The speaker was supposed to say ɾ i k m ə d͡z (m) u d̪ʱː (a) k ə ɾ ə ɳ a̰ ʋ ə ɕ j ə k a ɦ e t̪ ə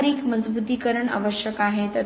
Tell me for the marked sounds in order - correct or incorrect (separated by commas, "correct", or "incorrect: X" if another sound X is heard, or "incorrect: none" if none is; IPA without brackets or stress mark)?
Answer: incorrect: b, incorrect: i